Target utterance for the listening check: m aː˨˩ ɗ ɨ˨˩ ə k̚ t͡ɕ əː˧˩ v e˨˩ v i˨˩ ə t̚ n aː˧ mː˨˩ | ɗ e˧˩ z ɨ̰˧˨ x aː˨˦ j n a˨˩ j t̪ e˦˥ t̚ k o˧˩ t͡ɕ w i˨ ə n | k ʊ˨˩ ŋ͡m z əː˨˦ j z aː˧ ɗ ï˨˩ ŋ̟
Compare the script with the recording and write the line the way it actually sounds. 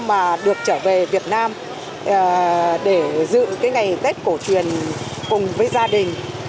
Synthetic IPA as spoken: m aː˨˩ ɗ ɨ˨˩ ə k̚ t͡ɕ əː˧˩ v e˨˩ v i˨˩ ə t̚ n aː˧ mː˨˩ | ɗ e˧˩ z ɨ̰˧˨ k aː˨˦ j ŋ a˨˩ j t̪ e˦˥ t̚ k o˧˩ t͡ɕ w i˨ ə n | k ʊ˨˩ ŋ͡m v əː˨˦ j z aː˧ ɗ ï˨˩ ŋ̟

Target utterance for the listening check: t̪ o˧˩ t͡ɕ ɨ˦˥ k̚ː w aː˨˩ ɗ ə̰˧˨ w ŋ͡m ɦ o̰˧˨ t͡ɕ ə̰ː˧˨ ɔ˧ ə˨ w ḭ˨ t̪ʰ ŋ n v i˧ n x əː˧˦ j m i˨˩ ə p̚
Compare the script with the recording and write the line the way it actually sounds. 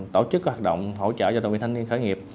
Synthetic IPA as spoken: t̪ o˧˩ t͡ɕ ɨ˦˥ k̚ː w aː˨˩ ɗ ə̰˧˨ w ŋ͡m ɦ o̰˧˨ t͡ɕ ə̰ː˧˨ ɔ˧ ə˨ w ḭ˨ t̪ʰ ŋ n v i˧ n x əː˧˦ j ŋ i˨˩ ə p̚

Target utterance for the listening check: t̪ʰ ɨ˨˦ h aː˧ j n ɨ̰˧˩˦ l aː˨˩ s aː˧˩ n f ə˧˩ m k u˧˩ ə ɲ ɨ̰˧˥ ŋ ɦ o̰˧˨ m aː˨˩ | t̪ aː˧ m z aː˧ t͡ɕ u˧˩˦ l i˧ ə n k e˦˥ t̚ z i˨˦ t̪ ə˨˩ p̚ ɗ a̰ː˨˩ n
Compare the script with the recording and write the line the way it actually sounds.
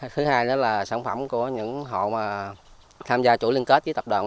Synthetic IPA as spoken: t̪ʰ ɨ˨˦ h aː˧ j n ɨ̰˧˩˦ l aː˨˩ s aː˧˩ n f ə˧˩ m k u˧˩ ə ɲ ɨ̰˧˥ ŋ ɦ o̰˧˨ m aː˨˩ | t̪ʰ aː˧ m z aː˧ t͡ɕ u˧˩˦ l i˧ ə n k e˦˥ t̚ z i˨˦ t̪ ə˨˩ p̚ ɗ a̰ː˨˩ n

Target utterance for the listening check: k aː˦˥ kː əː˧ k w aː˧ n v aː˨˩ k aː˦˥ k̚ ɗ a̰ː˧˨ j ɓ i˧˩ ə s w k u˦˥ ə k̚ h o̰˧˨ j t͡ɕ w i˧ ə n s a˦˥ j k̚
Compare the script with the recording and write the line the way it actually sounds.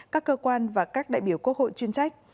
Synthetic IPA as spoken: k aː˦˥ kː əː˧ k w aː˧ n v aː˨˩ k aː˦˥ k̚ ɗ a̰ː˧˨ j ɓ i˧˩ ə w k u˦˥ ə k̚ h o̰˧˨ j t͡ɕ w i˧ ə n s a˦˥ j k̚

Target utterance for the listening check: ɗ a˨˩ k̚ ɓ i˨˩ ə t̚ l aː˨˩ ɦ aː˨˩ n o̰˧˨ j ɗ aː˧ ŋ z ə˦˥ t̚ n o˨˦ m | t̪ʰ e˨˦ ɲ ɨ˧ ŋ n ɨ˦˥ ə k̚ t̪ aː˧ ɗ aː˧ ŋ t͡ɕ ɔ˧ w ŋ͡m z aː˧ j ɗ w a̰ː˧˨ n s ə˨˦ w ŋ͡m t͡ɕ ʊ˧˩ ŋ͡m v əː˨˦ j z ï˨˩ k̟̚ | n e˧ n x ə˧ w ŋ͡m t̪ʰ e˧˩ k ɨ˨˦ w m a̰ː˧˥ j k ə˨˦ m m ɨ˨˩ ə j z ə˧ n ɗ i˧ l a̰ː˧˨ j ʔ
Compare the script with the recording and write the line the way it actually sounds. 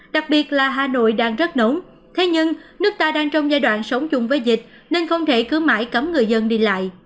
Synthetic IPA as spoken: ɗ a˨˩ k̚ ɓ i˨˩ ə t̚ l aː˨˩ ɦ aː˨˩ n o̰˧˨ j ɗ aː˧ ŋ z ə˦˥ t̚ n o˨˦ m | t̪ʰ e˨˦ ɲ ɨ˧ ŋ n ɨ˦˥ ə k̚ t̪ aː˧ ɗ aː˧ ŋ t͡ɕ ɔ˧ w ŋ͡m z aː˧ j ɗ w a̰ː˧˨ n s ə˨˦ w ŋ͡m t͡ɕ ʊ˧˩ ŋ͡m v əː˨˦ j z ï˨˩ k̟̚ | n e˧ n x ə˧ w ŋ͡m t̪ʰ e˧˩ k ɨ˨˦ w m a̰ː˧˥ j k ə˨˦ m ŋ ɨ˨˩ ə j z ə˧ n ɗ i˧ l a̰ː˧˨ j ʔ

